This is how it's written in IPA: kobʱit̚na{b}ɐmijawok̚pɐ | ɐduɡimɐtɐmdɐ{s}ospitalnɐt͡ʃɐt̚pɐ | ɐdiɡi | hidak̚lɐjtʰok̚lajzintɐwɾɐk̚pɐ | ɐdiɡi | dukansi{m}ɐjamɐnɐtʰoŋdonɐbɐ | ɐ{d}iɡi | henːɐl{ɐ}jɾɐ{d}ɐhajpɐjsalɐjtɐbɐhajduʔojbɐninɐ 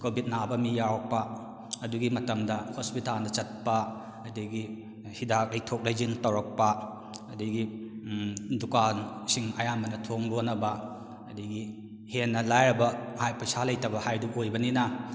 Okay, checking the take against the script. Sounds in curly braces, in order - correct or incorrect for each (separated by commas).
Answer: correct, incorrect, incorrect, correct, incorrect, incorrect